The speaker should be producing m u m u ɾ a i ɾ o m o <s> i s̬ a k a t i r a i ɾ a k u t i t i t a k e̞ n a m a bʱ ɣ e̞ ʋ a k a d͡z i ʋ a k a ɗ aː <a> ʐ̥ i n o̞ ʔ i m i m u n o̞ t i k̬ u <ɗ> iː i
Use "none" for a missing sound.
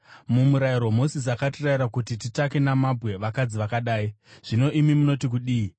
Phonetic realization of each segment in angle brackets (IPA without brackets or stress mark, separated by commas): s, i, ɗ